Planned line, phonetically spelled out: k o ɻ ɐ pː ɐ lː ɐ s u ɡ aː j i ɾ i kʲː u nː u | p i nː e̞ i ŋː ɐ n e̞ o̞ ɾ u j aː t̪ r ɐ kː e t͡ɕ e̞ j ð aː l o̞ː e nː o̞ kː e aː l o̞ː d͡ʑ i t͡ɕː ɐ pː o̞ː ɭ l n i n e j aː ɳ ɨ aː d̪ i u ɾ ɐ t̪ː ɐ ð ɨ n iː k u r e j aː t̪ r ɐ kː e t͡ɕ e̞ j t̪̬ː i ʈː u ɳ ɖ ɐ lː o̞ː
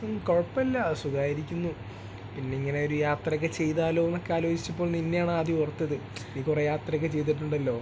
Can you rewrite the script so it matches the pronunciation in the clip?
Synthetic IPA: k o ɻ ɐ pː ɐ lː ɐ s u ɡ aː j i ɾ i kʲː u nː u | p i nː e̞ i ŋː ɐ n e̞ o̞ ɾ u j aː t̪ r ɐ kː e t͡ɕ e̞ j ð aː l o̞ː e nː o̞ kː e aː l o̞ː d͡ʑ i t͡ɕː ɐ pː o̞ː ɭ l n i nː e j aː ɳ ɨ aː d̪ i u r ɐ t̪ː ɐ ð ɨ n iː k u r e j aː t̪ r ɐ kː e t͡ɕ e̞ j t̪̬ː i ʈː u ɳ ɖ ɐ lː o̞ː